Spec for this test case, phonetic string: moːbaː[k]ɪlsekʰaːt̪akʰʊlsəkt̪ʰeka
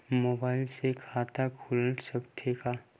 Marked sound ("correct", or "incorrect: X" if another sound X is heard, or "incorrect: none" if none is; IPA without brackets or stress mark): incorrect: none